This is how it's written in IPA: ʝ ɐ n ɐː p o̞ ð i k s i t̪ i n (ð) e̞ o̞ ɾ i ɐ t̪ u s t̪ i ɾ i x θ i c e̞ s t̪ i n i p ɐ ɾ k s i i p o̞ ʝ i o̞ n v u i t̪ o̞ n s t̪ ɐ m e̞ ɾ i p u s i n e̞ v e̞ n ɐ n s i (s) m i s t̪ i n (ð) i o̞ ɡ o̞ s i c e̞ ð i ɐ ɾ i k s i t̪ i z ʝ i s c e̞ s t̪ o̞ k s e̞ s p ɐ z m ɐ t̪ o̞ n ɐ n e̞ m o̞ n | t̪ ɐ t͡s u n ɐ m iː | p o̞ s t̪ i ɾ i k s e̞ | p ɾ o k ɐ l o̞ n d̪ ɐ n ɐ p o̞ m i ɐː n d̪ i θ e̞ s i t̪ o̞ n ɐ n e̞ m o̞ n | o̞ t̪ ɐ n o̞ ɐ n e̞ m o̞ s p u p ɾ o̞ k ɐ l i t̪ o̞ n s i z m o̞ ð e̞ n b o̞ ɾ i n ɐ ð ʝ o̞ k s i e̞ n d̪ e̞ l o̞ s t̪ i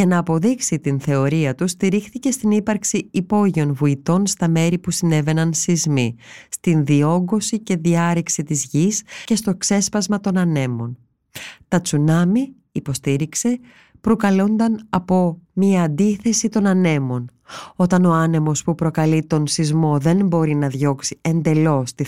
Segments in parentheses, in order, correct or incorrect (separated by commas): incorrect, incorrect, correct